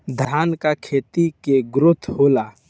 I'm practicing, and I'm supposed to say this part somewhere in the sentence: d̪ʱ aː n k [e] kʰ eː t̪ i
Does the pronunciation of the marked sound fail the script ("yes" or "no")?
yes